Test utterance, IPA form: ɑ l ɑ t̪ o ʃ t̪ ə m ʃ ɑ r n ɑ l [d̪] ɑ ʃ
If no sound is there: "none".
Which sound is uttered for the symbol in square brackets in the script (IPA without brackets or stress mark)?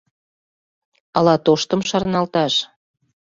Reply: t̪